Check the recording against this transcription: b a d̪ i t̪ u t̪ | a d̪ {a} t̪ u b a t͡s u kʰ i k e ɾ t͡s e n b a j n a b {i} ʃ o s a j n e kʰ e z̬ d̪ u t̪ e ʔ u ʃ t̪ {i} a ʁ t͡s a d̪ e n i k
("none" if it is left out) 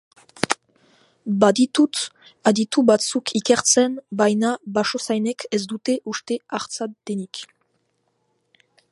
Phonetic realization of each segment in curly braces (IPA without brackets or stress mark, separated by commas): i, a, e